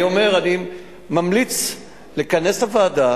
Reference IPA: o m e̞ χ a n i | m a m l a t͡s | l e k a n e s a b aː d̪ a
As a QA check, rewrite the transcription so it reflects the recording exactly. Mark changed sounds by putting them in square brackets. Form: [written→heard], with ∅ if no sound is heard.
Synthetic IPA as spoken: o m e̞ [χ→ʁ] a n i | m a m l [a→i] t͡s | l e k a n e s a [b→v] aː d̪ a